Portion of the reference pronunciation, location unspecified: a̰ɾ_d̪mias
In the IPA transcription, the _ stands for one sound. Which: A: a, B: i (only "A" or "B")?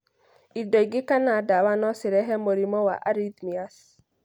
B